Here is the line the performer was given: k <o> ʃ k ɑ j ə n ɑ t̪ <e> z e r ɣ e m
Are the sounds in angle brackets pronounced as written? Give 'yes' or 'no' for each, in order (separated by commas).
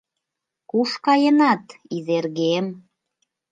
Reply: no, no